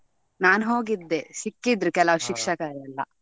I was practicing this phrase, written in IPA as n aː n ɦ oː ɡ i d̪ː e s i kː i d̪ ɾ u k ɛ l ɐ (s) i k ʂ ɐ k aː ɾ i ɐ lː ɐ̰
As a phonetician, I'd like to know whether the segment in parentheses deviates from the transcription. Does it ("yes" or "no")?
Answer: yes